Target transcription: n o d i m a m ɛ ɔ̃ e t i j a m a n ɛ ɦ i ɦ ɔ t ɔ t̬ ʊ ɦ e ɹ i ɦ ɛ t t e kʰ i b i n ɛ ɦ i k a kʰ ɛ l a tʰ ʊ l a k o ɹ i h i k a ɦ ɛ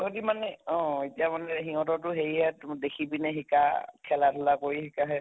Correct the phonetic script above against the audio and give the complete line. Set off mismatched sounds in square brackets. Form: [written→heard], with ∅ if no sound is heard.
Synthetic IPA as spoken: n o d i m a [m→n] ɛ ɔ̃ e t i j a m a n ɛ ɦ i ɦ ɔ t ɔ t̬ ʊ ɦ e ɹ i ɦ ɛ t [t→d] e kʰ i b i n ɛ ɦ i k a kʰ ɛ l a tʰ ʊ l a k o ɹ i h i k a ɦ ɛ

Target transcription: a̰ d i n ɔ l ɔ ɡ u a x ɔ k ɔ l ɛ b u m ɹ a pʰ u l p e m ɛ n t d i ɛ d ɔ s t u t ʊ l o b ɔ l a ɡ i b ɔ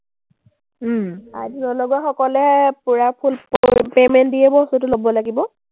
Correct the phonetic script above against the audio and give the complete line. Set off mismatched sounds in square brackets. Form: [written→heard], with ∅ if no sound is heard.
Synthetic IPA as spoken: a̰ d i n ɔ l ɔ ɡ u a x ɔ k ɔ l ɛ [b→p] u [m→∅] ɹ a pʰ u l p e m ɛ n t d i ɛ [d→b] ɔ s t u t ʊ l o b ɔ l a ɡ i b ɔ

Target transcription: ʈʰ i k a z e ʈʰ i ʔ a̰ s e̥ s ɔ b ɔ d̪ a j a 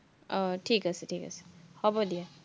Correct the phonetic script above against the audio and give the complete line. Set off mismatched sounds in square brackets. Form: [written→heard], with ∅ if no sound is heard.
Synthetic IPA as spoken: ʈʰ i k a [z→s] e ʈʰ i [ʔ→k] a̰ s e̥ [s→h] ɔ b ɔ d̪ [a→i] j a

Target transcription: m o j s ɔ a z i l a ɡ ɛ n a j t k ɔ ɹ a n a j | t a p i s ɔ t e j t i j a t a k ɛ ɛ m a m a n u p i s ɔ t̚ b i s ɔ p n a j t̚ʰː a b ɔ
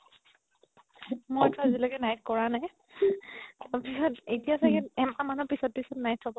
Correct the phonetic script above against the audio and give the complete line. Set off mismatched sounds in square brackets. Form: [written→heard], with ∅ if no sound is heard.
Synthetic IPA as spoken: m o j [s→t] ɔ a z i l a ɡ ɛ n a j t k ɔ ɹ a n a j | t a p i s ɔ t e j t i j a [t→s] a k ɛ ɛ m a m a n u p i s ɔ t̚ [b→p] i s ɔ [p→t] n a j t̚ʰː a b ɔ

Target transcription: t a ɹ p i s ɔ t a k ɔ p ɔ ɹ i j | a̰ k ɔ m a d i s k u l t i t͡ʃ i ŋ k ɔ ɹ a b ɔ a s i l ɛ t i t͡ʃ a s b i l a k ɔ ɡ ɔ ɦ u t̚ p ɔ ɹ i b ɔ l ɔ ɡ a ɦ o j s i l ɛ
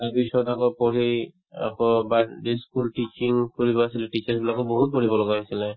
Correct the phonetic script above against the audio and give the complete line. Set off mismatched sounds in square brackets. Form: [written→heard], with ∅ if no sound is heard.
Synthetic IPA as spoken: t a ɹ p i s ɔ t a k ɔ p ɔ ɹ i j | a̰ k ɔ [m→b] a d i s k u l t i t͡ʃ i ŋ k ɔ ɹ [a→i] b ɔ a s i l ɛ t i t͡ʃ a s b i l a k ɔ [ɡ→b] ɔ ɦ u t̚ p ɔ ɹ i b ɔ l ɔ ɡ a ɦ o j s i l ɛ

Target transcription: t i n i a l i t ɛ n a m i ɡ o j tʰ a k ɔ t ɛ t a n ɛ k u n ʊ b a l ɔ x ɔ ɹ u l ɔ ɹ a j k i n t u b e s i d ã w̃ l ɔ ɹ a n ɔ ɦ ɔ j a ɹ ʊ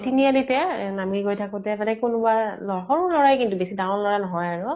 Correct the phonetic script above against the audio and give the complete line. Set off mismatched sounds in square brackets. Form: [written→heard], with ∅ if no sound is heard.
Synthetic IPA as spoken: t i n i a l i t ɛ n a m i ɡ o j tʰ a k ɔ t ɛ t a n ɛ k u n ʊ b a l ɔ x ɔ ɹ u l ɔ ɹ a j k i n t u b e s i d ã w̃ l ɔ ɹ a n ɔ ɦ ɔ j a ɹ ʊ

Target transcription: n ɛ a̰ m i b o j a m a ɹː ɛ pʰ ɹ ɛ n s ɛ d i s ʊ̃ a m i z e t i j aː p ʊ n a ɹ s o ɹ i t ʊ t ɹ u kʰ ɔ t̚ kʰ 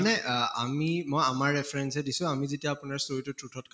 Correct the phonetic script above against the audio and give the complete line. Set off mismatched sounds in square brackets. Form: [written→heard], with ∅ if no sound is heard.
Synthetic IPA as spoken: n ɛ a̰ m i [b→m] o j a m a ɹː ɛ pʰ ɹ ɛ n s ɛ d i s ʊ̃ a m i z e t i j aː p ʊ n a ɹ s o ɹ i t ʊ t ɹ u [kʰ→tʰ] ɔ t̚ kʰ

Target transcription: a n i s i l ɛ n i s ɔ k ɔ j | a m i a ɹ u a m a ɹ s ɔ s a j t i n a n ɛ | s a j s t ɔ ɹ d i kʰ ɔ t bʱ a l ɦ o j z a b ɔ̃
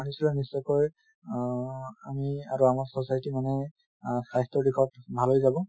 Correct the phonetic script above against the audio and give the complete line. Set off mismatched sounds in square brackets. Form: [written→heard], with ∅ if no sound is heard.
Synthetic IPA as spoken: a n i s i l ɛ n i s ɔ k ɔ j | a m i a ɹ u a m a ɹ s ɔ s a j t i [n→m] a n ɛ | s a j s t ɔ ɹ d i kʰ ɔ t bʱ a l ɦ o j z a b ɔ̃

